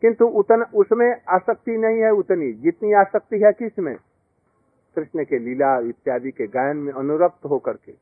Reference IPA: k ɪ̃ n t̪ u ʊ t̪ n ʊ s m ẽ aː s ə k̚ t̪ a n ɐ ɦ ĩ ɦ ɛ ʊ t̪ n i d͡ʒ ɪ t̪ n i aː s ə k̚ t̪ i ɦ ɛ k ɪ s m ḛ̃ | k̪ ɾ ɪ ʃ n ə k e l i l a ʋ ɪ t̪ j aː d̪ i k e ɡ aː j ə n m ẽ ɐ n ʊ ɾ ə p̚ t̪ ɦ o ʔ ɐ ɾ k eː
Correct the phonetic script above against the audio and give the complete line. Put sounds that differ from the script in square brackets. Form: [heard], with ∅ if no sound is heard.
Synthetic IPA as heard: k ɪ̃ n t̪ u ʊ t̪ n ʊ s m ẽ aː s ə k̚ t̪ [i] n ɐ ɦ ĩ ɦ ɛ ʊ t̪ n i d͡ʒ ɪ t̪ n i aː s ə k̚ t̪ i ɦ ɛ k ɪ s m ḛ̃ | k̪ ɾ ɪ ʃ n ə k e l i l a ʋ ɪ t̪ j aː d̪ i k e ɡ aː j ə n m ẽ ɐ n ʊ ɾ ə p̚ t̪ ɦ o [k] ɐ ɾ k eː